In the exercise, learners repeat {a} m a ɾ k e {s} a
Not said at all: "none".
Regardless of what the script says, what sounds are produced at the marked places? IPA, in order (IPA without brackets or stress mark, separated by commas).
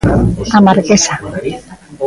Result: a, s